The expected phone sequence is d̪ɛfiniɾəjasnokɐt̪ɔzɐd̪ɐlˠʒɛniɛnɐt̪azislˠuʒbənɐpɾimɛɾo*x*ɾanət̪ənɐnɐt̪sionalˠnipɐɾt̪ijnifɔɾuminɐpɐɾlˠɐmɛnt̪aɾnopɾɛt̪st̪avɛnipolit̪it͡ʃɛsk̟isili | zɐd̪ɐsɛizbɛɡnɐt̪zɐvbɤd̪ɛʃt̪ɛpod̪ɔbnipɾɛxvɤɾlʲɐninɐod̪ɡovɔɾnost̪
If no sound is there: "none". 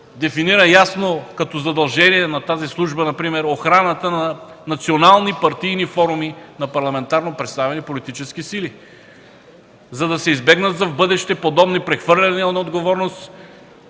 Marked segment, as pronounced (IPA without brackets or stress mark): x